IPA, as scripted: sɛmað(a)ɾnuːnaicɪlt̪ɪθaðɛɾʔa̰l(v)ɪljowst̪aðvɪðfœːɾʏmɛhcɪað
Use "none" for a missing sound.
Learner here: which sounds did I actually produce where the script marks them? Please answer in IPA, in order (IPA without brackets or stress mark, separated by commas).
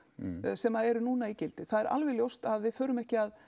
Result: ɛ, v